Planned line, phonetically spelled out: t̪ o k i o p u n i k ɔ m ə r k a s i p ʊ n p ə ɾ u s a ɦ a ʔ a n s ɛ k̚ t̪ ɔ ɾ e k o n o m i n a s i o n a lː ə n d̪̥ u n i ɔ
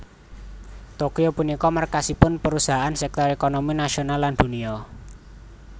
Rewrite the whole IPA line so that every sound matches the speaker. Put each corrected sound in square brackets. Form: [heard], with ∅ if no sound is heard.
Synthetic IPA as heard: t̪ o k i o p u n i k ɔ m ə r k a s i p ʊ n p ə ɾ u s a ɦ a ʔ a n s ɛ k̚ t̪ ɔ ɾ e k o n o m i n a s i o n a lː [a] n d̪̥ u n i ɔ